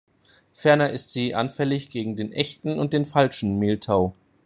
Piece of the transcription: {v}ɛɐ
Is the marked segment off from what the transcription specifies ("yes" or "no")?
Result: yes